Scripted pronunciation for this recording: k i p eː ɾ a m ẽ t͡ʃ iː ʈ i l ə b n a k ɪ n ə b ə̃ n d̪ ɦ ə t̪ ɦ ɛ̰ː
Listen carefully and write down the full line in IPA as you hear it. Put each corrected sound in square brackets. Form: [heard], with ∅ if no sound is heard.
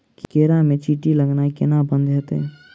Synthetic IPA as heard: k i [k] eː ɾ a m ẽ t͡ʃ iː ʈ i l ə [ɡ] n a k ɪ n [a] b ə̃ n d̪ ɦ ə t̪ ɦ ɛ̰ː

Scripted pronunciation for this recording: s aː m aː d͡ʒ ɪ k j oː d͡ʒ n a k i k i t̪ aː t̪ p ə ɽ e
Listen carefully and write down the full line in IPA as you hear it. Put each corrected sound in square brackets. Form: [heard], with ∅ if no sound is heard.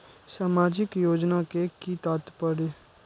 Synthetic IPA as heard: s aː m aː d͡ʒ ɪ k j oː d͡ʒ n a k [e] k i t̪ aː t̪ p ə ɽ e

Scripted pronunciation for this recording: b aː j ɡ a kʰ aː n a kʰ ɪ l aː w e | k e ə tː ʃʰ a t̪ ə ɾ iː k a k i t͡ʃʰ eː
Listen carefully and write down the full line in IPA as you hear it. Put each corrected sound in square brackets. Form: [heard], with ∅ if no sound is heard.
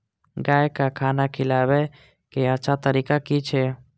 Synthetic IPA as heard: [ɡ] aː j [k] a kʰ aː n a kʰ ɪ l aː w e | k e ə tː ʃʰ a t̪ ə ɾ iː k a k i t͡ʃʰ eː

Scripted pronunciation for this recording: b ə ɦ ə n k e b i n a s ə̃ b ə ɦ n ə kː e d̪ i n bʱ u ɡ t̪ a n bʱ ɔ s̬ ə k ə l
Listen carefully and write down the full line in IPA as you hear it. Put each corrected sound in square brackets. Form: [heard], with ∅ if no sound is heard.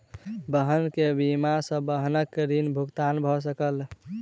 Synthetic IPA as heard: b ə ɦ ə n k e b i [m] a s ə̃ b ə ɦ n ə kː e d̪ i n bʱ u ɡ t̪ a n bʱ ɔ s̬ ə k ə l

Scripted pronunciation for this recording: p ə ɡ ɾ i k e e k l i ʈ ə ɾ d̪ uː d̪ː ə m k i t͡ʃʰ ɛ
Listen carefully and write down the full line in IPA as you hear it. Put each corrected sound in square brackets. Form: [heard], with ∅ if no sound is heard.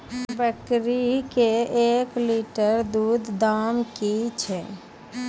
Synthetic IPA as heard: [b] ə [k] ɾ i k e e k l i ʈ ə ɾ d̪ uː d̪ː [a] m k i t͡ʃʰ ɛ

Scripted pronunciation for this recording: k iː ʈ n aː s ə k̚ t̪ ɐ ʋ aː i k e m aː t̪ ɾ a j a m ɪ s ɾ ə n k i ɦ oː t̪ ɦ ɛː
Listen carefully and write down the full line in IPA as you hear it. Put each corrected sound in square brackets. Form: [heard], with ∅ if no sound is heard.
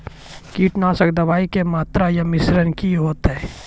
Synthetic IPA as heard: k iː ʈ n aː s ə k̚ [d̪] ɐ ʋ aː i k e m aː t̪ ɾ a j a m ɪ s ɾ ə n k i ɦ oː t̪ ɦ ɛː

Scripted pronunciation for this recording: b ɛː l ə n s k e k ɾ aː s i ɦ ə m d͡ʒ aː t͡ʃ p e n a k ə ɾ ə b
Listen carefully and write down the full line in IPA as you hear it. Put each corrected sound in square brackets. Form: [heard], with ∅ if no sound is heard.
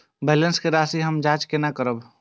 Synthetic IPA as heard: b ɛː l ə n s k e [∅] ɾ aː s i ɦ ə m d͡ʒ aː t͡ʃ [k] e n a k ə ɾ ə b

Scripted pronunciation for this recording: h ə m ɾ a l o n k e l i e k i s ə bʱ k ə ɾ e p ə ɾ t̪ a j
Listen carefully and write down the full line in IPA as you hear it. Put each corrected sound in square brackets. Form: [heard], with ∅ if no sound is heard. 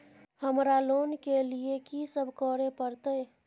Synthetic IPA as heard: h ə m ɾ a l o n k e l i e k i s ə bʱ k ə ɾ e p ə ɾ t̪ [ə] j

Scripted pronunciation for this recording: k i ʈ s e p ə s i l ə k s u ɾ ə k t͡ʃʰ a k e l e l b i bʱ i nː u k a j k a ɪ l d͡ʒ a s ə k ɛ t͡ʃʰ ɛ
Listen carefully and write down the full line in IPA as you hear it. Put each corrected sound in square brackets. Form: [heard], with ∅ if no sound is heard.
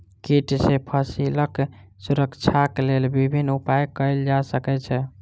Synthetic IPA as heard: k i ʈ s e [pʰ] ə s i l ə k s u ɾ ə k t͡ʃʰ a k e l e l b i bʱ i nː u [p] a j k [ə] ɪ l d͡ʒ a s ə k ɛ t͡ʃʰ ɛ

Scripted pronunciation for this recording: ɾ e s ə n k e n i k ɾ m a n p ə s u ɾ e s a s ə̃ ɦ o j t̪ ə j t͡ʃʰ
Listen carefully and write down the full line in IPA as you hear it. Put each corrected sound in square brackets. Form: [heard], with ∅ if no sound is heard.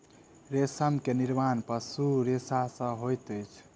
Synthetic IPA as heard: ɾ e s ə [m] k e n i [∅] ɾ m a n p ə s u ɾ e s a s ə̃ ɦ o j t̪ ə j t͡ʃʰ

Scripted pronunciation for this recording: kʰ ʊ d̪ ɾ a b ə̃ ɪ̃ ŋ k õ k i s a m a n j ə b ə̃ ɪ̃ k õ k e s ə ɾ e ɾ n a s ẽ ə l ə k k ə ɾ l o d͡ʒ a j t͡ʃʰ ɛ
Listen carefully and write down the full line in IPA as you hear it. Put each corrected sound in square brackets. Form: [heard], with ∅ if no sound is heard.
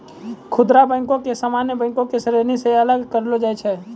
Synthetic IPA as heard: kʰ ʊ d̪ ɾ a b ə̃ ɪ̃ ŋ k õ k [e] s a m a n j ə b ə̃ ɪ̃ k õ k e s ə ɾ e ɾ n [i] s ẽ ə l ə [ɡ] k ə ɾ l o d͡ʒ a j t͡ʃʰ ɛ

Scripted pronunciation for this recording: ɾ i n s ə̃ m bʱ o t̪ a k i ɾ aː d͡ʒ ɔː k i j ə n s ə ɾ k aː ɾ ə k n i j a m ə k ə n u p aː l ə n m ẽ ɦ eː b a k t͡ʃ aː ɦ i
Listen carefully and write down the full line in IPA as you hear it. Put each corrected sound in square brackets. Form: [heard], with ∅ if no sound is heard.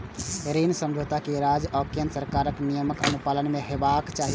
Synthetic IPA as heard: ɾ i n s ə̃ m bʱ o t̪ a k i ɾ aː d͡ʒ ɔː k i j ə n s ə ɾ k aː ɾ ə k n i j [ə] m ə k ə n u p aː l ə n m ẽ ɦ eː b a k t͡ʃ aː ɦ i

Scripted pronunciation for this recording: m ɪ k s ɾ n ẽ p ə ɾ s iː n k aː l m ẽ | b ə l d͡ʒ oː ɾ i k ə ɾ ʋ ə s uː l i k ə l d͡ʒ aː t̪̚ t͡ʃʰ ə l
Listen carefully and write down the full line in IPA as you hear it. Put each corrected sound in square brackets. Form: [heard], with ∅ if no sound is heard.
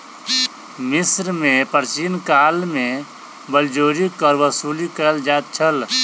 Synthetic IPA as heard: m ɪ [∅] s ɾ [m] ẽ p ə ɾ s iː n k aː l m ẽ | b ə l d͡ʒ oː ɾ i k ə ɾ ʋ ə s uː l i k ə l d͡ʒ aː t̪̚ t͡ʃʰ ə l

